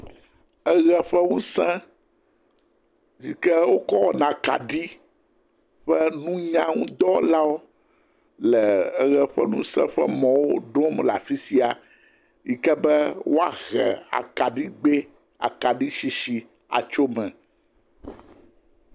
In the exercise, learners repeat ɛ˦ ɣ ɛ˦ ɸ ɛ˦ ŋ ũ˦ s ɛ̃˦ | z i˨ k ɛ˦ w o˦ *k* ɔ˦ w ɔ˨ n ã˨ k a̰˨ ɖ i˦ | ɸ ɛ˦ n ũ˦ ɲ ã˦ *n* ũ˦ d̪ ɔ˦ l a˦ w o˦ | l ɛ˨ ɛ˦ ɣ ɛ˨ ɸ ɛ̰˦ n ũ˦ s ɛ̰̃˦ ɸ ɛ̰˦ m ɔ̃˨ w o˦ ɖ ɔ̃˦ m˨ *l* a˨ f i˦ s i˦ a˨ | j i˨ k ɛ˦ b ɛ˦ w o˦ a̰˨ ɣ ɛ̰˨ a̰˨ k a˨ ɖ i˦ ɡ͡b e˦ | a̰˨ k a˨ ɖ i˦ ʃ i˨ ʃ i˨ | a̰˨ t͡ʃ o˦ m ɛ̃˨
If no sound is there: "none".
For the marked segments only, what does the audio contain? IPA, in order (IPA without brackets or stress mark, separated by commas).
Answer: k, ŋ, l